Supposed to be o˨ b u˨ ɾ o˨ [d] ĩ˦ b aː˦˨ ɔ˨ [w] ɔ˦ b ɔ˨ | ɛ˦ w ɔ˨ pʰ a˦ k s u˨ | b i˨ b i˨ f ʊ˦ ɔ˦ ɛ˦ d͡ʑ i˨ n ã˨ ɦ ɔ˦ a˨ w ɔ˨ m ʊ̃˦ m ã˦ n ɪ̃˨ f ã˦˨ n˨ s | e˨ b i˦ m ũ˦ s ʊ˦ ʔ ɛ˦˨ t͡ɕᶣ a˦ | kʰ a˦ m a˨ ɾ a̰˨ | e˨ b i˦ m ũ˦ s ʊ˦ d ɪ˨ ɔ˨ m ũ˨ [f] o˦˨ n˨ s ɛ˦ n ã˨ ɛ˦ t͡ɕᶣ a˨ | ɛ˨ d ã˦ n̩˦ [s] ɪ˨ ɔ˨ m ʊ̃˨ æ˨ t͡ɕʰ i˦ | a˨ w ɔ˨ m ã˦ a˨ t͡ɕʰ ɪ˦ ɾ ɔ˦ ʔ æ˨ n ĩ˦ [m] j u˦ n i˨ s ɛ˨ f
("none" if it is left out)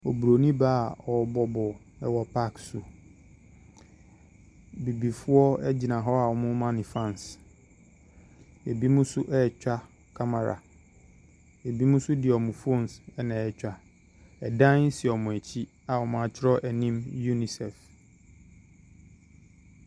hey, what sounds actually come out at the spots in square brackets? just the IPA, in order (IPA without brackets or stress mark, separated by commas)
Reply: n, b, f, s, m